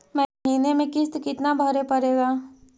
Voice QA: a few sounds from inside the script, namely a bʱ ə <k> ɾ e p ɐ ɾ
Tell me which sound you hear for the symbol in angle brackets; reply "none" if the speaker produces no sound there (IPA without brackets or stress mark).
none